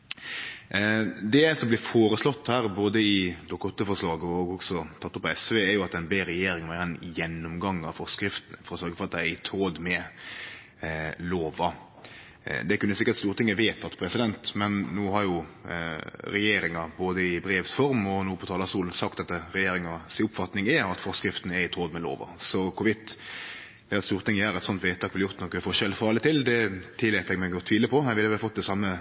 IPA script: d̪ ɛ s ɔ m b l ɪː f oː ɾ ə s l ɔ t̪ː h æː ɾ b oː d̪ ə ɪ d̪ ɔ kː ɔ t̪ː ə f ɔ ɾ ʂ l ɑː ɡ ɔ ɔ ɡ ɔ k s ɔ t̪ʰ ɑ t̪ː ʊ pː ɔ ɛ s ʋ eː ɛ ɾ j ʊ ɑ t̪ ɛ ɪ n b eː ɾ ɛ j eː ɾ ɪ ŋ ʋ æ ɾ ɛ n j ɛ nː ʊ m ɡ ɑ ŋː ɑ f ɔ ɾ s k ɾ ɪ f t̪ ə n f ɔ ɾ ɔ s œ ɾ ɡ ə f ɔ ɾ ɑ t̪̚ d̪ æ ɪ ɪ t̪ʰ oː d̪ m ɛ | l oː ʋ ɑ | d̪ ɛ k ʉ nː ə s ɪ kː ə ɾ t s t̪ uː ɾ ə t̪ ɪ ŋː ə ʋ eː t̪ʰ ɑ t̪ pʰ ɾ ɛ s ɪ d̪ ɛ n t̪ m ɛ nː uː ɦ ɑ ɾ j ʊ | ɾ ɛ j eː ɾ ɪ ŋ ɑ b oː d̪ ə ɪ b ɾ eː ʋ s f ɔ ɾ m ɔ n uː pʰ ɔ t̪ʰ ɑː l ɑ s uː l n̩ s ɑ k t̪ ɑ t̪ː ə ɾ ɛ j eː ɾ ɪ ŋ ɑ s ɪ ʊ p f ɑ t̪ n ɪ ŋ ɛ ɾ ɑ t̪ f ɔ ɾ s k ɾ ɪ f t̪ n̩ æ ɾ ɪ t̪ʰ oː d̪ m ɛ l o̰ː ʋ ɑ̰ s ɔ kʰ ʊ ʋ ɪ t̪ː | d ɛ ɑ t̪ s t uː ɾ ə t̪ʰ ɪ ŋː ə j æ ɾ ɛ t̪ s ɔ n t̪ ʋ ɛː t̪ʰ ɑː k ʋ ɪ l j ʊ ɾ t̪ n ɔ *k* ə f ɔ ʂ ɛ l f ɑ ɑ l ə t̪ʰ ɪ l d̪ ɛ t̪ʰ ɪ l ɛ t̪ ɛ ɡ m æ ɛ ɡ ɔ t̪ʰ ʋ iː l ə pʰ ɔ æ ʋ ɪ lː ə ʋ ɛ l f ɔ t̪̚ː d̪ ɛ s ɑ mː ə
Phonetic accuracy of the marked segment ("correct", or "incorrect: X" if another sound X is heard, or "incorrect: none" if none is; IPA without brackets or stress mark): correct